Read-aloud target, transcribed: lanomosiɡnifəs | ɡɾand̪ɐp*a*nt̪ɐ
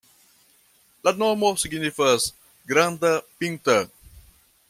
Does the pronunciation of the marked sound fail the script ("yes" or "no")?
yes